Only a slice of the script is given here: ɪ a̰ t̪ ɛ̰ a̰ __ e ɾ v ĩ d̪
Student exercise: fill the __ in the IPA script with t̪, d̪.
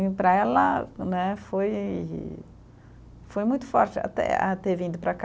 t̪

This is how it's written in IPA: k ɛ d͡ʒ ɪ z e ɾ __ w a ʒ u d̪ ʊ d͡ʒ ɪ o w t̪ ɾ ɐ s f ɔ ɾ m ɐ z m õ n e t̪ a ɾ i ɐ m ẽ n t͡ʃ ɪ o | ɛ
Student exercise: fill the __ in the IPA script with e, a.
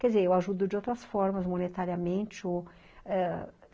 e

